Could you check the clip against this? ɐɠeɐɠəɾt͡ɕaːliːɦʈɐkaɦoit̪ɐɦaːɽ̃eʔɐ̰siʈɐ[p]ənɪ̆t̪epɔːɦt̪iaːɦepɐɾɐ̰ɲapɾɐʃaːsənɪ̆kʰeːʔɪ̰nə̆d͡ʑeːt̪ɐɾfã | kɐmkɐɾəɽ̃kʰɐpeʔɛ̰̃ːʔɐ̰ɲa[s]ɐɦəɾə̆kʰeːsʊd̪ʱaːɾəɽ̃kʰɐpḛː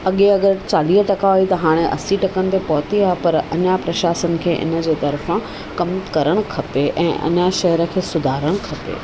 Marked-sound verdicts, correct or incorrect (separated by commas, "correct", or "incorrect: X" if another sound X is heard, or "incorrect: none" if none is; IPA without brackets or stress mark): incorrect: k, incorrect: ʃ